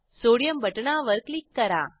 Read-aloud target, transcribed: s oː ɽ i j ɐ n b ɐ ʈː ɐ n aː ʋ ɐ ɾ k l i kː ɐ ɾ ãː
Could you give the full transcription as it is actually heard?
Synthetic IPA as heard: s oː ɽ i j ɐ m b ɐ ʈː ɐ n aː ʋ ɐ ɾ k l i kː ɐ ɾ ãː